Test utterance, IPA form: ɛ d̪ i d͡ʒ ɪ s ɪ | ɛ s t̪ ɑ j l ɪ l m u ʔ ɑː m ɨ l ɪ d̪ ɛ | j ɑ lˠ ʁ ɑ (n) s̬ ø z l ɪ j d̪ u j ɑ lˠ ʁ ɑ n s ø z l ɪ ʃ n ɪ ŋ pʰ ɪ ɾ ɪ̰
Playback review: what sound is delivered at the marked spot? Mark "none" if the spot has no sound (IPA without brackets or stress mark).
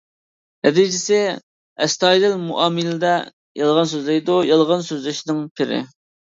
n